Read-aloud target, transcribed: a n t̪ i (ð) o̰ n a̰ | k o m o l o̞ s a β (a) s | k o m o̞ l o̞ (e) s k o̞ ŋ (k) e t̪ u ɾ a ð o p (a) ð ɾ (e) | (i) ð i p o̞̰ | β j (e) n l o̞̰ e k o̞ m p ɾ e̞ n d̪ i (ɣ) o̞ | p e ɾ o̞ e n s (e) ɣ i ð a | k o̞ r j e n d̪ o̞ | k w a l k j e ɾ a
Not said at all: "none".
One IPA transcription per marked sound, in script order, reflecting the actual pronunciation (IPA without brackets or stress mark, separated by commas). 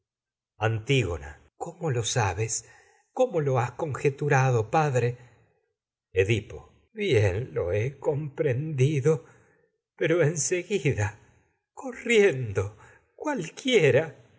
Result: ɣ, e, a, x, a, e, e, e, ð, e